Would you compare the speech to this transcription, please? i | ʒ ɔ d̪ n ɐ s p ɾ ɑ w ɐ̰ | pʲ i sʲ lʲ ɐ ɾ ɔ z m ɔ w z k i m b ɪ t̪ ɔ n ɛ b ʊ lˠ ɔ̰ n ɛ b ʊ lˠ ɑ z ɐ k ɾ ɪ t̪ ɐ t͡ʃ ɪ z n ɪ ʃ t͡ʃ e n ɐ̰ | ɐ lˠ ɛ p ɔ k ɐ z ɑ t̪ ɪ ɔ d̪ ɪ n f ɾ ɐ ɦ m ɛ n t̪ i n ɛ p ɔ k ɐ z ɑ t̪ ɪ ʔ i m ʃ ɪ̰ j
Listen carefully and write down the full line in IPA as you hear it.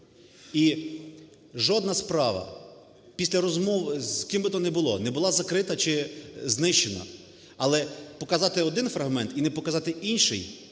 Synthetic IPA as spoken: i | ʒ ɔ d̪ n ɐ s p ɾ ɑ ʋ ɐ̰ | pʲ i sʲ lʲ ɐ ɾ ɔ z m ɔ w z k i m b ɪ t̪ ɔ n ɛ b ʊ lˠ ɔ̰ n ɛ b ʊ lˠ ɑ z ɐ k ɾ ɪ t̪ ɐ t͡ʃ ɪ z n ɪ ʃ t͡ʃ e n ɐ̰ | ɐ lˠ ɛ p ɔ k ɐ z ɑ t̪ ɪ ɔ d̪ ɪ n f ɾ ɐ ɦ m ɛ n t̪ i n ɛ p ɔ k ɐ z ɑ t̪ ɪ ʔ i n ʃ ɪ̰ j